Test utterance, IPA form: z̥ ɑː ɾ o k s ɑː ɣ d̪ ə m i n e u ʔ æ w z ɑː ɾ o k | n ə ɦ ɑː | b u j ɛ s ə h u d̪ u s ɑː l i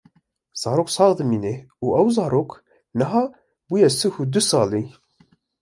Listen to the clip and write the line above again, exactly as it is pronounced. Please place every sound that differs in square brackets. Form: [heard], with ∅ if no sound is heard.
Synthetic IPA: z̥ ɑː ɾ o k s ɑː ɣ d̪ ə m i n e u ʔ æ w z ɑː ɾ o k | n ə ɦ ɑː | b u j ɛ s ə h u d̪ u s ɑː l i